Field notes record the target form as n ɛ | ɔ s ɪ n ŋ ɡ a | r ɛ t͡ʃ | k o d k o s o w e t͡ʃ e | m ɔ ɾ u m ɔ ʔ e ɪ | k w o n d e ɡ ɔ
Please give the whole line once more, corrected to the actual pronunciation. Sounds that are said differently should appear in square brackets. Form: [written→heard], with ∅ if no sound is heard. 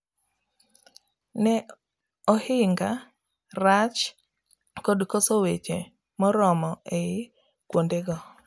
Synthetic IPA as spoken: n ɛ | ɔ [s→h] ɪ [n→∅] ŋ ɡ a | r [ɛ→a] t͡ʃ | k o d k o s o w e t͡ʃ e | m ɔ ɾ [u→ɔ] m ɔ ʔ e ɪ | k w o n d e ɡ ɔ